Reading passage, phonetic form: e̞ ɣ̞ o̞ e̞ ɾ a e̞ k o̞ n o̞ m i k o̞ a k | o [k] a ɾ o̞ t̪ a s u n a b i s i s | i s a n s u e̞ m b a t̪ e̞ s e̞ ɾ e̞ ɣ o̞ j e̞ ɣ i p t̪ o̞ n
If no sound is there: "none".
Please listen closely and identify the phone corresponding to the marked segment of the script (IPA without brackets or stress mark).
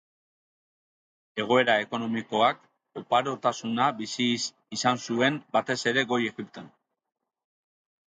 p